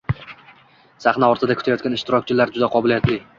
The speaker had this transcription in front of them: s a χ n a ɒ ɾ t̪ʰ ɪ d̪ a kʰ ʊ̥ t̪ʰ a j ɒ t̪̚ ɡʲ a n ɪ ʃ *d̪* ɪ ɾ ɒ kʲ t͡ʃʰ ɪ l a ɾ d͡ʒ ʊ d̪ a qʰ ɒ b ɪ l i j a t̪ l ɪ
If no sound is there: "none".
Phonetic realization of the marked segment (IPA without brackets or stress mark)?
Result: t̪